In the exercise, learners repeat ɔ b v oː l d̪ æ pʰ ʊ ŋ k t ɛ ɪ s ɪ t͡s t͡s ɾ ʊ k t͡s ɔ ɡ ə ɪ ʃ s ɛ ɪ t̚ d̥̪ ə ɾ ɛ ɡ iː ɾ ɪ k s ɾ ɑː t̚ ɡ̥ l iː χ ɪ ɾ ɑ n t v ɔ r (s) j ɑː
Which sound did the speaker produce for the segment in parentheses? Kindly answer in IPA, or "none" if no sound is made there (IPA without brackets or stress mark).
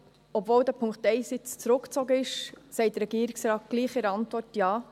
t